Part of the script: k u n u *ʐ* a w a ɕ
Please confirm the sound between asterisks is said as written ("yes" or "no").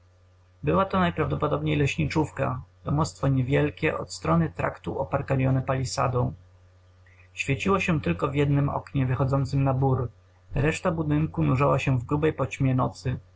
yes